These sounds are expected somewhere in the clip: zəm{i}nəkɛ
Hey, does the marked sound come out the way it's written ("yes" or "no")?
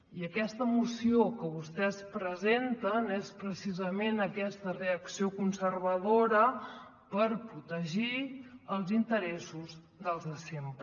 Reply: no